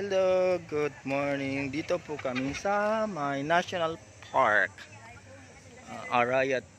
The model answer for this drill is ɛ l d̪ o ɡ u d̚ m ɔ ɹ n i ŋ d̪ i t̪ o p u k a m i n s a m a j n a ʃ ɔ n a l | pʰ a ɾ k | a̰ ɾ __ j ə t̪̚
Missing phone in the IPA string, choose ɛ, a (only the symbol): a